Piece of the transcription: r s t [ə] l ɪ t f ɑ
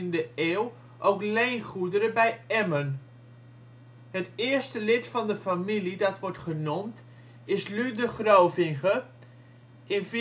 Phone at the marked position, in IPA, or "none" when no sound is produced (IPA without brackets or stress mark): ə